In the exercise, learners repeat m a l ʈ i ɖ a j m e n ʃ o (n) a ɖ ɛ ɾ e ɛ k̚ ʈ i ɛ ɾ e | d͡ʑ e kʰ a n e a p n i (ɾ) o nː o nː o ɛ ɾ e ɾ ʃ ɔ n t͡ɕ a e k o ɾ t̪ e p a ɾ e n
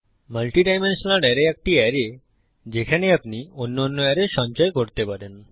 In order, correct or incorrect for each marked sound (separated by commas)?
correct, incorrect